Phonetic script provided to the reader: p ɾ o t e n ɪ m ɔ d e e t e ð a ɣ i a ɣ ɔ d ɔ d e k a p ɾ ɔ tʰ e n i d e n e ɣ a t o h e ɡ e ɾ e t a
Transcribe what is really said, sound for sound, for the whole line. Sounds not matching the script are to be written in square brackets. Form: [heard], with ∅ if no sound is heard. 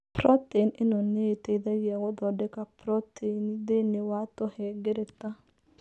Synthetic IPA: p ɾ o t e n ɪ [n] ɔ [n] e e t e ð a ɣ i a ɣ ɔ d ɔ d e k a p ɾ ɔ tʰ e n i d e n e [w] a t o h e ɡ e ɾ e t a